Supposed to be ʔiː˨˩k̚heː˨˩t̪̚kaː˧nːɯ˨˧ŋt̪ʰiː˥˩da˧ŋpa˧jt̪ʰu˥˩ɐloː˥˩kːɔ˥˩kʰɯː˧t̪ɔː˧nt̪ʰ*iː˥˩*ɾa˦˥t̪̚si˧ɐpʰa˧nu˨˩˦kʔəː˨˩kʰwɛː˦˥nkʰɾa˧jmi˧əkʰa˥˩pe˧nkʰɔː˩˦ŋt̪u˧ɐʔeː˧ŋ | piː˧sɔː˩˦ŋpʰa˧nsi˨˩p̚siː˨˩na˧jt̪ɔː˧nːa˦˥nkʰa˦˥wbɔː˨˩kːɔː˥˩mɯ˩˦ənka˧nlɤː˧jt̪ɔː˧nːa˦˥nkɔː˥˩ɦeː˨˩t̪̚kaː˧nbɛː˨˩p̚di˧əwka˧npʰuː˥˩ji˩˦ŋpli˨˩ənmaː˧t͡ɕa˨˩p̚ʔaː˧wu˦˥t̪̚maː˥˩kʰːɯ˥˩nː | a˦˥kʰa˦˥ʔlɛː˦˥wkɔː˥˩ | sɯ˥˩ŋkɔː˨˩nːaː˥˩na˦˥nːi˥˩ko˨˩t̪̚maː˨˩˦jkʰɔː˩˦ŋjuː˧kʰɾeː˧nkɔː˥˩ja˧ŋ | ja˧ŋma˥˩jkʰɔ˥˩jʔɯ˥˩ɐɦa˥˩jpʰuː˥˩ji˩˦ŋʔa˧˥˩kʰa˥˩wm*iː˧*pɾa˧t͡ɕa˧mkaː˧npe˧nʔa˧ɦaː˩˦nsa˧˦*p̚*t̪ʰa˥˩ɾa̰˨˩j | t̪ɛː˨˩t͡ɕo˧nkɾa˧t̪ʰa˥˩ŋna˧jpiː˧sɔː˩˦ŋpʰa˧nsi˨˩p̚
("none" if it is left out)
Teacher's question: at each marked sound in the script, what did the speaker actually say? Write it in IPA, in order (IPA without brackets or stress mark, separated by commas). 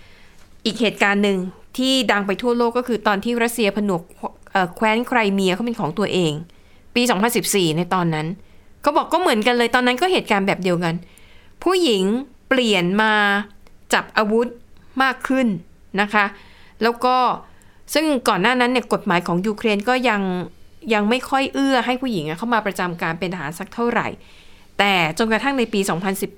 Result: iː˥˩, aː˧, k̚